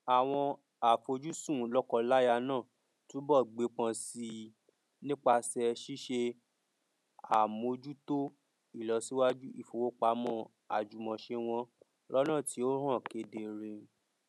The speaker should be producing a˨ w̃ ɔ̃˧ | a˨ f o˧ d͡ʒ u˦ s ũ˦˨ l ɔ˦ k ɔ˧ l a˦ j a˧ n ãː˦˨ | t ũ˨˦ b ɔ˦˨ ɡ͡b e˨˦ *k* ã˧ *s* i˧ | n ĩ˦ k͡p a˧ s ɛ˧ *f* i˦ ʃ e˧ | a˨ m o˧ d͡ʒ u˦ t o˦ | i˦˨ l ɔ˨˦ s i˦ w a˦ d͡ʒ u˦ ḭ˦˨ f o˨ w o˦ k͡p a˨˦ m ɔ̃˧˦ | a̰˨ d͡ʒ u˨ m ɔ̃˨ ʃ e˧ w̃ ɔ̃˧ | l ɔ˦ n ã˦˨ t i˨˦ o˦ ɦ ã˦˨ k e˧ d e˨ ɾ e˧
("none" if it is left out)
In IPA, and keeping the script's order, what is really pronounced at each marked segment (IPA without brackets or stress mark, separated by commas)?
k͡p, s, ʃ